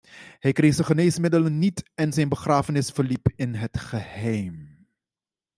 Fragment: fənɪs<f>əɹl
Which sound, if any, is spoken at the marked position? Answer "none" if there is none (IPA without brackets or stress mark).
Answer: f